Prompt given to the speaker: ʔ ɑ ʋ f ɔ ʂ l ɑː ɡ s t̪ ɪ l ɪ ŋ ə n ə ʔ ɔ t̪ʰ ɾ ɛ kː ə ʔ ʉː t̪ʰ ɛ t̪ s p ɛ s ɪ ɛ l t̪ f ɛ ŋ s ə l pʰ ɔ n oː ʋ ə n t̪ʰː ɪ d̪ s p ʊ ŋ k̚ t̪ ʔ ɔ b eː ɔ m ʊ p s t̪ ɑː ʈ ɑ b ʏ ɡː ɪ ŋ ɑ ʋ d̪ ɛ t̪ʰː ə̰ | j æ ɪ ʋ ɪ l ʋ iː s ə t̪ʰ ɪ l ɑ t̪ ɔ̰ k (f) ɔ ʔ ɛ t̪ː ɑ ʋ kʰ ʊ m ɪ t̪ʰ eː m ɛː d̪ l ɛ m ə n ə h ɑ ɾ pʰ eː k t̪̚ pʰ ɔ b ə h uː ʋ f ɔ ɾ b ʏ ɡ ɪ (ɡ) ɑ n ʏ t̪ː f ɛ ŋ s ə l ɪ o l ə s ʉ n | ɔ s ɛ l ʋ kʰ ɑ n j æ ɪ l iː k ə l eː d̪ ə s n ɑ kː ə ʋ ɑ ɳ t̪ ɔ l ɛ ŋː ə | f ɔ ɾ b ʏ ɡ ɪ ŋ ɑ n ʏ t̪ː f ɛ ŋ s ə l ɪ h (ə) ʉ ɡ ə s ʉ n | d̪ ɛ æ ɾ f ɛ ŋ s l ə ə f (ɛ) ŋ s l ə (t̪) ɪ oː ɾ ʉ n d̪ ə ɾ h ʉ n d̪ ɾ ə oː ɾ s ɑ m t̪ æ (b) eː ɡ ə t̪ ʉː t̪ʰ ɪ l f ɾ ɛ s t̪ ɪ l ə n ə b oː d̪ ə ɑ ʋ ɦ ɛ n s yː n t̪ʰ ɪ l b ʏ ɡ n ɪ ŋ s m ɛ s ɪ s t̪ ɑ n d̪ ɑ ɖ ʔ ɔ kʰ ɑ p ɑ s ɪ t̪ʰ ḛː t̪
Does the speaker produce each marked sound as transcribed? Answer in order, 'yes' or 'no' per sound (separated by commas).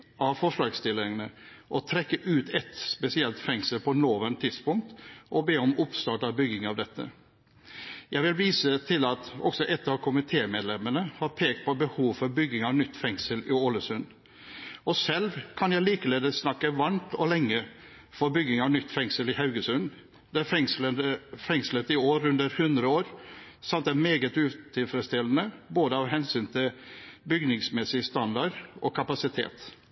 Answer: no, no, no, yes, yes, no